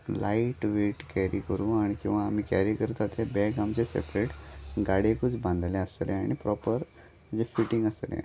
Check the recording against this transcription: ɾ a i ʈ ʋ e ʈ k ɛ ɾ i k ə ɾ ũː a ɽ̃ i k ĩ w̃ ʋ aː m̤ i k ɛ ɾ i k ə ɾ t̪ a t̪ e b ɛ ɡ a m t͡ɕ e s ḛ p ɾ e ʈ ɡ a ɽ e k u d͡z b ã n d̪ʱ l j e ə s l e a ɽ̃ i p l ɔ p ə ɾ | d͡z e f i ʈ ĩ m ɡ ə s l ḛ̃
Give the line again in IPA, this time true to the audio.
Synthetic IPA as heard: l a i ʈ ʋ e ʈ k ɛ ɾ i k ə ɾ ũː a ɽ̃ i k ĩ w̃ ʋ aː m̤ i k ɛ ɾ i k ə ɾ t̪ a t̪ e b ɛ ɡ a m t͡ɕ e s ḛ p ɾ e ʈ ɡ a ɽ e k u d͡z b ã n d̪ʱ l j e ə s l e a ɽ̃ i p ɾ ɔ p ə ɾ | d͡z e f i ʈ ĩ ŋ ɡ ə s l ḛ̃